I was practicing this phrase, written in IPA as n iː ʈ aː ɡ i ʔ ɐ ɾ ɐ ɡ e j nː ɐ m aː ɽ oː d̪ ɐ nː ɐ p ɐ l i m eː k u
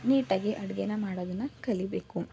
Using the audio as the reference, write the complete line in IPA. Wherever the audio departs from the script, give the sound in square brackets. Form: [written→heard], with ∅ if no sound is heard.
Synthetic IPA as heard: n iː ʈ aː ɡ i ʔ ɐ [ɾ→ɽ] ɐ ɡ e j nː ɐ m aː ɽ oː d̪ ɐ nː ɐ [p→k] ɐ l i [m→b] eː k u

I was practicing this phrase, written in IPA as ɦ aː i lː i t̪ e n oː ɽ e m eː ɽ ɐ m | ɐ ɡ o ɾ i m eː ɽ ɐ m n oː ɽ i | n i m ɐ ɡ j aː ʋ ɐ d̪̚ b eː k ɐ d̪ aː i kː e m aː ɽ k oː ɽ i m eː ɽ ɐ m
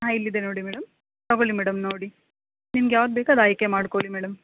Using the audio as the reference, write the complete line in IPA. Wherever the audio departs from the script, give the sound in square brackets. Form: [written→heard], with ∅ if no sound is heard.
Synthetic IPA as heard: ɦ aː i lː i [t̪→d̪] e n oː ɽ [e→i] m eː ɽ ɐ m | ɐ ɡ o [ɾ→ɭ] i m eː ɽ ɐ m n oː ɽ i | n i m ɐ ɡ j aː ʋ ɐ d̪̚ b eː k ɐ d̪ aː [i→j] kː e m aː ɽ k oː [ɽ→ɭ] i m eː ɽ ɐ m

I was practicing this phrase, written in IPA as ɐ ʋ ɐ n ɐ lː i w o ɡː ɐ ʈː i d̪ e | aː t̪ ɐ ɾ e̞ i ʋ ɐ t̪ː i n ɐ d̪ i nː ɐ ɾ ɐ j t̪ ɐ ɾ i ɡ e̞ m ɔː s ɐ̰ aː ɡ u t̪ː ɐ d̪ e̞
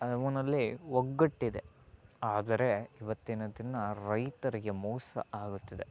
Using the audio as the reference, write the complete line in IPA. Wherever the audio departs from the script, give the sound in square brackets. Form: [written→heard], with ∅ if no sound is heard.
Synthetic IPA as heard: ɐ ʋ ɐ n ɐ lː i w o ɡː ɐ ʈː i d̪ e | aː [t̪→d̪] ɐ ɾ e̞ i ʋ ɐ t̪ː i n ɐ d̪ i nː ɐ ɾ ɐ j t̪ ɐ ɾ i ɡ e̞ m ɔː s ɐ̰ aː ɡ u t̪ː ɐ d̪ e̞

